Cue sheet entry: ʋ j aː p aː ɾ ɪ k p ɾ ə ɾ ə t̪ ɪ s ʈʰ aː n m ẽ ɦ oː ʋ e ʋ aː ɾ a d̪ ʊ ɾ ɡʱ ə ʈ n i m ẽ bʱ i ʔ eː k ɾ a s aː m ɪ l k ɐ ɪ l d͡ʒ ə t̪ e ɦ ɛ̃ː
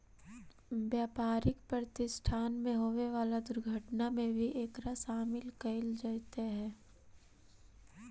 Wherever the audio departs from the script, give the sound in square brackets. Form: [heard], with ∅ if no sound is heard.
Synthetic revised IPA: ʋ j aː p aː ɾ ɪ k p ɾ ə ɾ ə t̪ ɪ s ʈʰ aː n m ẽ ɦ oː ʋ e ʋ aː [l] a d̪ ʊ ɾ ɡʱ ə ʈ n [a] m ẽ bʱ i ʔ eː k ɾ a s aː m ɪ l k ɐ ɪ l d͡ʒ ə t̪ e ɦ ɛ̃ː